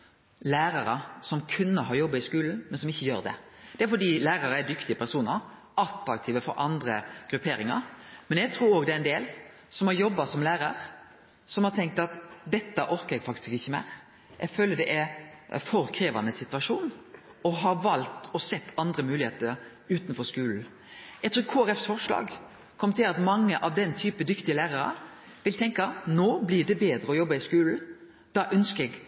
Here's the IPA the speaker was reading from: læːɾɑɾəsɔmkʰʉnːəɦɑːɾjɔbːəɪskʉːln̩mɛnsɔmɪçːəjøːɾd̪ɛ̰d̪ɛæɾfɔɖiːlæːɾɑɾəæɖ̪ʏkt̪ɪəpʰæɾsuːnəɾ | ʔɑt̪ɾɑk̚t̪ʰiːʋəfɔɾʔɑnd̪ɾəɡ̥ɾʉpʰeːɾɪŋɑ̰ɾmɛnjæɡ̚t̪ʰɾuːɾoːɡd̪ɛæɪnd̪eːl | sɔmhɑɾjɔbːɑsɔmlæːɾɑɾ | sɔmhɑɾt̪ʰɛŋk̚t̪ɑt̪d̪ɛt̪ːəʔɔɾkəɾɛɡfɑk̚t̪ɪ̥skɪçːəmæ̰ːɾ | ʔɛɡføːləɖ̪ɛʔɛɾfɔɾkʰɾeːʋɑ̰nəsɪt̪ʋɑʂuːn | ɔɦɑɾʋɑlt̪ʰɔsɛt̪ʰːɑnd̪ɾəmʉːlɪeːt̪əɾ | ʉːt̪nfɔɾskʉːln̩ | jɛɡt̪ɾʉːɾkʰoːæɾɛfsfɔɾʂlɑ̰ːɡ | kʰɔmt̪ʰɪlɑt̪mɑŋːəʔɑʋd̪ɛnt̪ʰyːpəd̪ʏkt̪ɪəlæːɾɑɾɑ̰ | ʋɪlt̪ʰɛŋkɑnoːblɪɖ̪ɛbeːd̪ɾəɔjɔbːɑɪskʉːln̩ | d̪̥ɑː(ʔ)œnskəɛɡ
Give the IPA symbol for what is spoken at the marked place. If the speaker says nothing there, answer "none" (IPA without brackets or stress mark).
ʔ